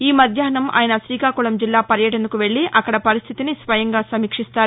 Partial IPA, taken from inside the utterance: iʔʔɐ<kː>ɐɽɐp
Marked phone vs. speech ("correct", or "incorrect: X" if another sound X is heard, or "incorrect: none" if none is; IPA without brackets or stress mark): correct